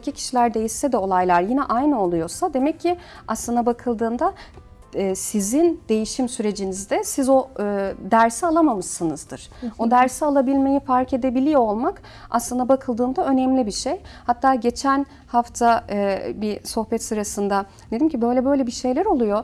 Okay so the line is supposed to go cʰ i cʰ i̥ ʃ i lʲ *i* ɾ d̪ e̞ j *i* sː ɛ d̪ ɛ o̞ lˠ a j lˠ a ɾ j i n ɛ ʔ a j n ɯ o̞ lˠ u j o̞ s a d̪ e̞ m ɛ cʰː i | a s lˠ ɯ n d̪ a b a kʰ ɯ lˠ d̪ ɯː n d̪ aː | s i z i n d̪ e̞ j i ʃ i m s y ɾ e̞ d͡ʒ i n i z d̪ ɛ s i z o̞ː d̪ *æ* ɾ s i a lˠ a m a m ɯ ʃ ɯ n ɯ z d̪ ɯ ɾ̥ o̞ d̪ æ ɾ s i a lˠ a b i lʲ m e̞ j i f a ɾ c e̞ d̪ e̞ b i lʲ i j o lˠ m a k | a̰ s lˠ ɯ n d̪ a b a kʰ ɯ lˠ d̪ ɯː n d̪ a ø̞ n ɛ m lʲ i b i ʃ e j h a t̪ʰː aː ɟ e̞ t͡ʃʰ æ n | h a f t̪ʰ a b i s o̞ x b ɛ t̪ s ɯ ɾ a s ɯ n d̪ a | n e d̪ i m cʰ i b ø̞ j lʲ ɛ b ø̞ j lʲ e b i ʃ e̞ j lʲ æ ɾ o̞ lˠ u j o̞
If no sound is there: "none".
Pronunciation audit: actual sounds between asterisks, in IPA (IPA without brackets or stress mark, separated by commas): æ, i, æ